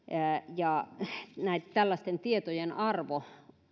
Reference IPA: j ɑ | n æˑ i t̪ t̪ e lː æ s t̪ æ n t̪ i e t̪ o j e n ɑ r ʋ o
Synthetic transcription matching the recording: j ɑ | n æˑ i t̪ t̪ æ lː æ s t̪ e n t̪ i e t̪ o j e n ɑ r ʋ o